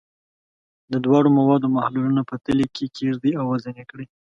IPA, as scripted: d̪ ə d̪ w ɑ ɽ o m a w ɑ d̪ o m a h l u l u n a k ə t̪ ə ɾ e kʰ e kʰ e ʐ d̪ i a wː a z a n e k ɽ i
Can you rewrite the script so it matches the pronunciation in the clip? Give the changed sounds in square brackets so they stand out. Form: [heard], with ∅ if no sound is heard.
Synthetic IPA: d̪ ə d̪ w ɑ ɽ o m a w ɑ d̪ o m a h l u l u n a [p] ə t̪ ə [l] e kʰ e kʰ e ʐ d̪ i a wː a z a n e k ɽ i